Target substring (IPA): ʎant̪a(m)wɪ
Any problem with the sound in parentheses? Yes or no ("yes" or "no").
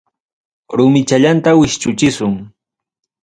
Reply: yes